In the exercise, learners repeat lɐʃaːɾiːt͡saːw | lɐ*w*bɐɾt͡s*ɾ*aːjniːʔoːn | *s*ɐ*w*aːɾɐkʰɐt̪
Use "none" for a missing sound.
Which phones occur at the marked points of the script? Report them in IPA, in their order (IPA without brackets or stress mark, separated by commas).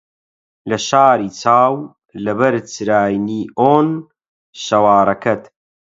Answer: none, ɾ, ʃ, w